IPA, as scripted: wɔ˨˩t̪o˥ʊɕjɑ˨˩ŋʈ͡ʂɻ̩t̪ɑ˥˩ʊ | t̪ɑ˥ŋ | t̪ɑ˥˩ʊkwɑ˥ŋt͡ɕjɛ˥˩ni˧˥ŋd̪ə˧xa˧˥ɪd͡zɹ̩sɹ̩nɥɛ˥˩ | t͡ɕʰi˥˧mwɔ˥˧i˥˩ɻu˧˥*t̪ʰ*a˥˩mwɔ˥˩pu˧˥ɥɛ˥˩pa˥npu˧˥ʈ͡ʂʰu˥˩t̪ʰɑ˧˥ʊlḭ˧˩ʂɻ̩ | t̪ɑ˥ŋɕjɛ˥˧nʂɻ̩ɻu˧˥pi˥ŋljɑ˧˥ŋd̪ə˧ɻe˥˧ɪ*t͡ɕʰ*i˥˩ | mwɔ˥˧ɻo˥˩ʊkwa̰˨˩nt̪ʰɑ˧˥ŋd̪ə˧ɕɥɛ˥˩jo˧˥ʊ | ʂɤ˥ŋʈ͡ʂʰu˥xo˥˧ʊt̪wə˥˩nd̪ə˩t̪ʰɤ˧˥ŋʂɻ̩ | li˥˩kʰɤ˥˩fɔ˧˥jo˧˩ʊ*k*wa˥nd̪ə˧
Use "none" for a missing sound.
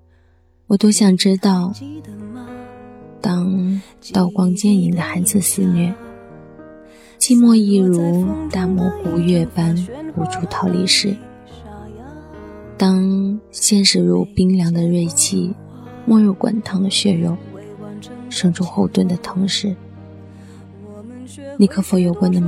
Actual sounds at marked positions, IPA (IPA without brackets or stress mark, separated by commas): t̪, t͡ɕʰ, k